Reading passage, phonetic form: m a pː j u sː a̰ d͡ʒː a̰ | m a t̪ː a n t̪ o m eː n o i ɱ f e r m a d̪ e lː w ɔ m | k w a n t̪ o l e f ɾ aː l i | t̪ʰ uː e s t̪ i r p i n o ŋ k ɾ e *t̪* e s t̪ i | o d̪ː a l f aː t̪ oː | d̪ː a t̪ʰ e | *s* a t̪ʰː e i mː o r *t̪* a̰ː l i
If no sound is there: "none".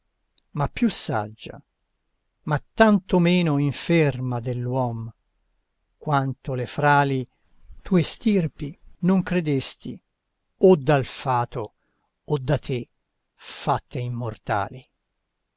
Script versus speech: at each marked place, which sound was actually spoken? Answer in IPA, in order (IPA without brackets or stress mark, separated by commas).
d̪, f, t̪